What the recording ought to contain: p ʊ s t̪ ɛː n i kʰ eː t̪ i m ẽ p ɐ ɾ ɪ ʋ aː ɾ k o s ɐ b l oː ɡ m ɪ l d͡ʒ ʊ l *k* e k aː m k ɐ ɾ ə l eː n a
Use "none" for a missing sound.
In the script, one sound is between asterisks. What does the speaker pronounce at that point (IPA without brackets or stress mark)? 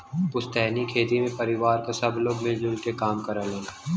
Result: k